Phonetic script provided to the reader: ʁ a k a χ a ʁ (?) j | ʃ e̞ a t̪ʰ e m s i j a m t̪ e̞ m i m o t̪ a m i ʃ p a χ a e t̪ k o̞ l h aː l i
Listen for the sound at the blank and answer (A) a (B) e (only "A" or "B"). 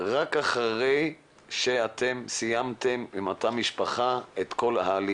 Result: B